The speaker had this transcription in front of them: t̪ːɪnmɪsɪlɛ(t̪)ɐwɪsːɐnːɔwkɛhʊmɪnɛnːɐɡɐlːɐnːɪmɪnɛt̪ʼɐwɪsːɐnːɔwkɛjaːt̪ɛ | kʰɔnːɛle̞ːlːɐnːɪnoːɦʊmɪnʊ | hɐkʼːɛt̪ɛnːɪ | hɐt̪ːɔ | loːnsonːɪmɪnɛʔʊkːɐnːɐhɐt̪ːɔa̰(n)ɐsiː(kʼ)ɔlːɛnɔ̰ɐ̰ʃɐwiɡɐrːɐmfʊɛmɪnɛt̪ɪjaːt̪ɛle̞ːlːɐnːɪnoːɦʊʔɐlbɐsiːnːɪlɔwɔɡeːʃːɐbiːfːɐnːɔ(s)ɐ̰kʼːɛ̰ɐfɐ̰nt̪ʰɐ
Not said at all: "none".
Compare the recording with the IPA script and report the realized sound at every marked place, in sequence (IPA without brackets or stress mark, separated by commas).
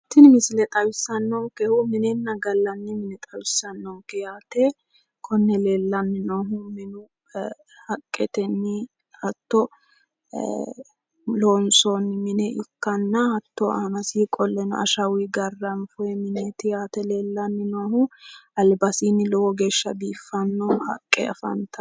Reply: t̪ʼ, n, kʼ, h